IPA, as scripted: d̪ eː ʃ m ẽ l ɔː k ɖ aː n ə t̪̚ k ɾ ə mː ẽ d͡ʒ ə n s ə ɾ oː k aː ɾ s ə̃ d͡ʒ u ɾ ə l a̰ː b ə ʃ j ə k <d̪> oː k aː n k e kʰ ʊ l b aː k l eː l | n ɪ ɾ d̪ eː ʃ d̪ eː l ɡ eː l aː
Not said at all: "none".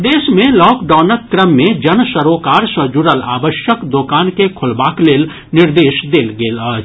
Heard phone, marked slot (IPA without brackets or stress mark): d̪